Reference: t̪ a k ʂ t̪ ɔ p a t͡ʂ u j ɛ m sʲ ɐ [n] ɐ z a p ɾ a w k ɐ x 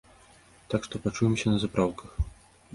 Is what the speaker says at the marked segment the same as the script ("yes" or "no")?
yes